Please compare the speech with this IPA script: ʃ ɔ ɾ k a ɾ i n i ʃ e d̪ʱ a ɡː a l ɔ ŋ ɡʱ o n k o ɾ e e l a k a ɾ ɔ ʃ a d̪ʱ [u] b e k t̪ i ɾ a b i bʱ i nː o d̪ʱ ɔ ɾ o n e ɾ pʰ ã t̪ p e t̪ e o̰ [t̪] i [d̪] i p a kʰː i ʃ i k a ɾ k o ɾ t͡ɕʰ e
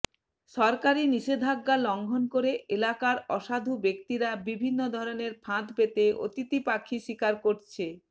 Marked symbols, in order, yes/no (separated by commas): yes, yes, no